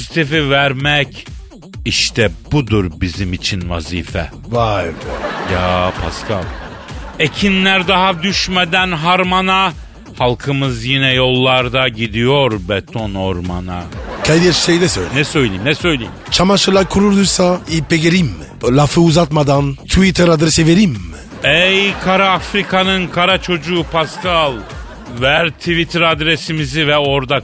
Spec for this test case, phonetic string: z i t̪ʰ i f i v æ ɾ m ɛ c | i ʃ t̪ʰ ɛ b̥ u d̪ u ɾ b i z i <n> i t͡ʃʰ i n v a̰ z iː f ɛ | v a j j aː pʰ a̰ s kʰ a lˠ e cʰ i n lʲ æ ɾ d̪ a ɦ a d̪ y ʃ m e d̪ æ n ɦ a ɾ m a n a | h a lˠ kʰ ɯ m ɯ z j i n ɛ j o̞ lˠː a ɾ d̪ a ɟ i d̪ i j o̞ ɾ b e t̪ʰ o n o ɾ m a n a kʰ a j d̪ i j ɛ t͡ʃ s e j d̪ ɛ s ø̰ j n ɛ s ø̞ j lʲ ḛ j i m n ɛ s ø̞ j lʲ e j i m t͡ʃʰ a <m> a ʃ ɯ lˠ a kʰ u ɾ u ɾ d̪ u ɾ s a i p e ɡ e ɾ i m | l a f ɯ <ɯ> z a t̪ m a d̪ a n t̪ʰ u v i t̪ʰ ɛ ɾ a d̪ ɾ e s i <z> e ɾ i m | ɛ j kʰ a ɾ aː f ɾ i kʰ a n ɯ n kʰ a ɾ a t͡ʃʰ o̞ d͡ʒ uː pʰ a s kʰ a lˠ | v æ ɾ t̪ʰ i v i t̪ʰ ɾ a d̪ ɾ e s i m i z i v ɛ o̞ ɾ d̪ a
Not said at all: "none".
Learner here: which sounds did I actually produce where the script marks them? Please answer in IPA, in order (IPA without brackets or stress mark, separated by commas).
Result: m, m, u, v